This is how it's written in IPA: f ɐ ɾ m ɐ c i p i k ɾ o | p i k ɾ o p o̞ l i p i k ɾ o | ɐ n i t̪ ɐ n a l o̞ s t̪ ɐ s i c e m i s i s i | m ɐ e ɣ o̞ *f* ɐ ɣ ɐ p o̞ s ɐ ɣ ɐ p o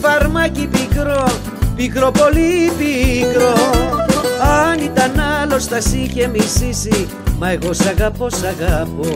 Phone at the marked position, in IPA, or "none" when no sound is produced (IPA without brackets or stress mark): s